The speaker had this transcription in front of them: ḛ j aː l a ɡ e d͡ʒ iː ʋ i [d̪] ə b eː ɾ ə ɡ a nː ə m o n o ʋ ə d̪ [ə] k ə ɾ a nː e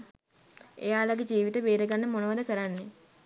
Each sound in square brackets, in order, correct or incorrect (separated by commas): incorrect, correct